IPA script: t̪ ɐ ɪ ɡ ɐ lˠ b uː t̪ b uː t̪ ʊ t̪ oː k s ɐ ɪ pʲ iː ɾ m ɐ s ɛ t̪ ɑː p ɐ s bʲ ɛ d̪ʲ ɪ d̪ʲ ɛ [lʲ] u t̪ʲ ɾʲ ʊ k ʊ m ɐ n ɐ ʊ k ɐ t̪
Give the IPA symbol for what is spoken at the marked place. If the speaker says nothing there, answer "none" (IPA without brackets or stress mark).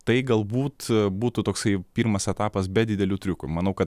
lʲ